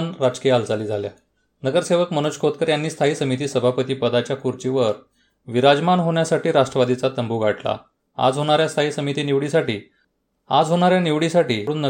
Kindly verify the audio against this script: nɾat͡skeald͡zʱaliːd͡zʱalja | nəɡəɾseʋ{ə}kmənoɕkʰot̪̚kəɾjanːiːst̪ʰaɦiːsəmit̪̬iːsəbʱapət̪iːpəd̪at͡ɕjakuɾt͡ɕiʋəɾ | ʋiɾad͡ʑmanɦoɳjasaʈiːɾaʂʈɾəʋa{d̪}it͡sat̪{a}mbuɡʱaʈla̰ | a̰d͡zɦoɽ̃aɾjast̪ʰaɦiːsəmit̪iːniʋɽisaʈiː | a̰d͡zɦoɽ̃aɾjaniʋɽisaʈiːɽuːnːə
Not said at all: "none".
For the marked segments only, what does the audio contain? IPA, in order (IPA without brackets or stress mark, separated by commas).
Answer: ə, d̪, ə